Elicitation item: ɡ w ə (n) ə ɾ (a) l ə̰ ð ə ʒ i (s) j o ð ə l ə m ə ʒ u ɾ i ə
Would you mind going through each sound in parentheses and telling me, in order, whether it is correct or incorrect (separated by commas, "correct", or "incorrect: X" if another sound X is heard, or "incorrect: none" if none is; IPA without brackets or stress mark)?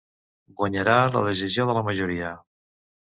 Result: incorrect: ɲ, correct, incorrect: z